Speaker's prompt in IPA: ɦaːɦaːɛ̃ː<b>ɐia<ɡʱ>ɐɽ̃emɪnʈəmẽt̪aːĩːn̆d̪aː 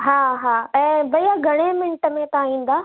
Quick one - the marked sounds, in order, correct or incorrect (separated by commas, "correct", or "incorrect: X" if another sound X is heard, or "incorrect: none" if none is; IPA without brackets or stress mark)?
correct, correct